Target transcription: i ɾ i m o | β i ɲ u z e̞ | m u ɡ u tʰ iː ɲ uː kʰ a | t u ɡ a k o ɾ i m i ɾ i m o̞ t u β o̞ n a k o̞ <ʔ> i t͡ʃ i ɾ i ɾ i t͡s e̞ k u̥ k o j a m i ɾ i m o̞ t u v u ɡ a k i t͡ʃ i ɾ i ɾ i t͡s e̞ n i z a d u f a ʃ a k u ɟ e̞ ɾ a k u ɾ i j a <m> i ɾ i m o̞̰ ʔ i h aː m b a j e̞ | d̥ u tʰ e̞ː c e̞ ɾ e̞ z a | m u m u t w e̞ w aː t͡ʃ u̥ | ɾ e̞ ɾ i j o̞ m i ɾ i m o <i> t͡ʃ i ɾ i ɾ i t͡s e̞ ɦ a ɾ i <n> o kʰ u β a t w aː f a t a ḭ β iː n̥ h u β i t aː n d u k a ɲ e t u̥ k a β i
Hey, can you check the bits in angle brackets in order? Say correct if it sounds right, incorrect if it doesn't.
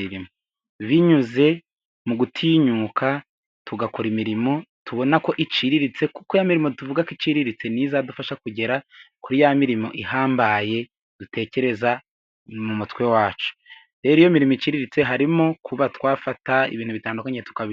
correct, correct, correct, incorrect

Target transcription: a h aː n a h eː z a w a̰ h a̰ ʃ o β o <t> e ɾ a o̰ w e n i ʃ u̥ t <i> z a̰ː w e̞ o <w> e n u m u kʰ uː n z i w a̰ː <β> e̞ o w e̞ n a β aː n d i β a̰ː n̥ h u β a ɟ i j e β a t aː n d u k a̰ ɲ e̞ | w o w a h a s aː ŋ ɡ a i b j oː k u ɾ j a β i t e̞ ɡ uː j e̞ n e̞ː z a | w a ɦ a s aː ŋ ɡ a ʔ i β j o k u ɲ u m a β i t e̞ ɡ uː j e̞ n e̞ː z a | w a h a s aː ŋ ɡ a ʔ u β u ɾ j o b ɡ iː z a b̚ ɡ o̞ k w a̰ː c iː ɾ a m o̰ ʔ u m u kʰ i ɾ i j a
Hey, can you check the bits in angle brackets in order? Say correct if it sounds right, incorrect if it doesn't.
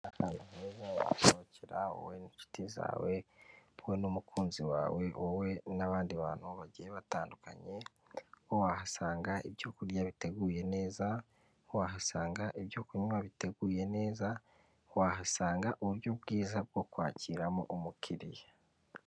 incorrect, correct, correct, incorrect

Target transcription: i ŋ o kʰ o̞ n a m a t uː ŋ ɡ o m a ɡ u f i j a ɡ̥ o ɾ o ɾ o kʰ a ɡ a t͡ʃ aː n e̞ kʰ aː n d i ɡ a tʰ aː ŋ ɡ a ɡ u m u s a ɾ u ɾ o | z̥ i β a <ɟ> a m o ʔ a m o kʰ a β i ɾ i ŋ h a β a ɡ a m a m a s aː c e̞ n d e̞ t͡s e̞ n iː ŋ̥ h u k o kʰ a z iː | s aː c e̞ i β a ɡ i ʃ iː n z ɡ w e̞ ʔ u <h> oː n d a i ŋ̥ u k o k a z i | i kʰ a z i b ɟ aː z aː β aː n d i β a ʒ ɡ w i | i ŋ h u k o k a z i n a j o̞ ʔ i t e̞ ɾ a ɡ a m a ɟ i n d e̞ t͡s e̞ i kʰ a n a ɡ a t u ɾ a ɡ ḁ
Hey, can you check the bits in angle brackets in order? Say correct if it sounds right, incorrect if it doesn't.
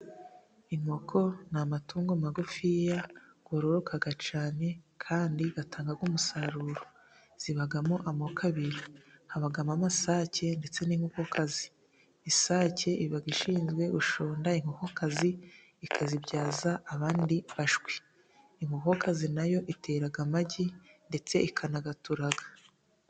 incorrect, incorrect

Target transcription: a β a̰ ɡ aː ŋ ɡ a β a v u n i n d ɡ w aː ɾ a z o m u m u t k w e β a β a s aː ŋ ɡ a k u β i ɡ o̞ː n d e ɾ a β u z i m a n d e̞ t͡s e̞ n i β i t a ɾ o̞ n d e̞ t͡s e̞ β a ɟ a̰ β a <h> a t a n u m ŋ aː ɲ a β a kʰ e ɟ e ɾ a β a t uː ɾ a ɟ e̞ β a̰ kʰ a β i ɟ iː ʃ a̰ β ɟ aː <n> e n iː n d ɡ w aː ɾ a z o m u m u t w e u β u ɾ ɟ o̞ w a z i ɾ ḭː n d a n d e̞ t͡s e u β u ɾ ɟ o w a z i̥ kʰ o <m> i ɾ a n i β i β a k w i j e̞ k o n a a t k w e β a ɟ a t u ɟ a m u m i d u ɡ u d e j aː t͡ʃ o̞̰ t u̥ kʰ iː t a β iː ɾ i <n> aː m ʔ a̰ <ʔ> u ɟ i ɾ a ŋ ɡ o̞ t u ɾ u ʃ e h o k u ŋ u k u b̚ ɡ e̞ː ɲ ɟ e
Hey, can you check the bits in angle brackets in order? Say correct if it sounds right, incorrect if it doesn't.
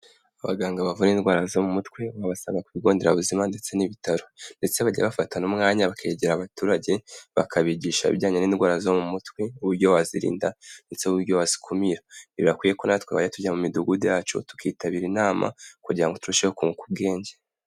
incorrect, incorrect, correct, correct, incorrect

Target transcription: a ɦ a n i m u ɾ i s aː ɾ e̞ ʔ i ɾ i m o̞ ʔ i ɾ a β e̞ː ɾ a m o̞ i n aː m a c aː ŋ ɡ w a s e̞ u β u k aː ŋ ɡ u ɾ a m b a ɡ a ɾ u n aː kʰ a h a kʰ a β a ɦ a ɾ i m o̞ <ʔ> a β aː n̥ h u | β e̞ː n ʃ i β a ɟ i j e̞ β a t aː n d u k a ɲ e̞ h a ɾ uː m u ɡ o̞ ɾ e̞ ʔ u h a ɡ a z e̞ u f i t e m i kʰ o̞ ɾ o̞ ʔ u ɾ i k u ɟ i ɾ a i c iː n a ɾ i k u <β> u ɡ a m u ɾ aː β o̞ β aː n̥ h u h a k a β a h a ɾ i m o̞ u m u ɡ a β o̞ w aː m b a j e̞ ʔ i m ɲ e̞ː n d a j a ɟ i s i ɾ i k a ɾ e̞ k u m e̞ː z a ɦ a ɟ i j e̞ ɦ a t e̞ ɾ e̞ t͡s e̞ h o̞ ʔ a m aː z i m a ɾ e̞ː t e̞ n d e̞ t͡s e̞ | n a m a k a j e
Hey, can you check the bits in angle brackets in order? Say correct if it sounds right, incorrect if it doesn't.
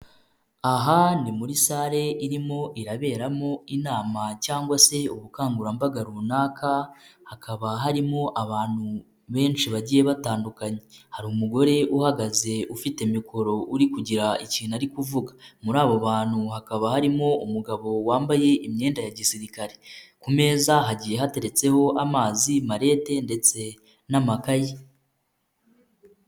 correct, incorrect

